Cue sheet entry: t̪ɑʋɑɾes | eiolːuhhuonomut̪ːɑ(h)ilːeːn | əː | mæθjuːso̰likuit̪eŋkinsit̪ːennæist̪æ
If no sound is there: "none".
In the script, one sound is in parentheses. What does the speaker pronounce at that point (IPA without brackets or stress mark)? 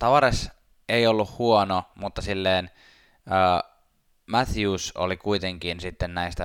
s